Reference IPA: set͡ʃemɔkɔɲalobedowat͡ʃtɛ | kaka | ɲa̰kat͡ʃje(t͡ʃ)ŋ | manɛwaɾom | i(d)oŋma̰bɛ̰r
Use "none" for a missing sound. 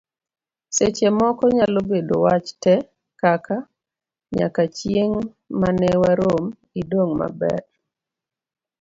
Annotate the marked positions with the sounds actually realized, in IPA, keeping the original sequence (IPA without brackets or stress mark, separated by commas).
none, d